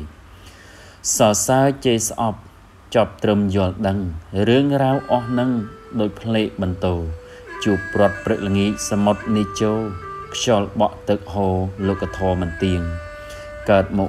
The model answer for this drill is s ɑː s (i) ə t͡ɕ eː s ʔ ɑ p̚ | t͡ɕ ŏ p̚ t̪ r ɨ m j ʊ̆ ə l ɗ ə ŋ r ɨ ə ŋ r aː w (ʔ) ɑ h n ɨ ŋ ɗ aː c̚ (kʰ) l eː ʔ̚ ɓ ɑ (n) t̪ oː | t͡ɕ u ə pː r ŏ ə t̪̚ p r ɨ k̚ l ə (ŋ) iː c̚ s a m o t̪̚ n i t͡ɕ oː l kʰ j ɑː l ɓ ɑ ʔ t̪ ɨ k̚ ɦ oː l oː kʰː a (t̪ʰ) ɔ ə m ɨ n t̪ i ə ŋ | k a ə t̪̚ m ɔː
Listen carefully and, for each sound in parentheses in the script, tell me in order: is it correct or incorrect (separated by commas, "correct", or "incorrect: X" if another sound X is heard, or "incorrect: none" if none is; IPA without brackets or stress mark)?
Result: incorrect: a, correct, incorrect: pʰ, correct, correct, correct